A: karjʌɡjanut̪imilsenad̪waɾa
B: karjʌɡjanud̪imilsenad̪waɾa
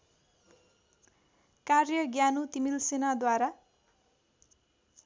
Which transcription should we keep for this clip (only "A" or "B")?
A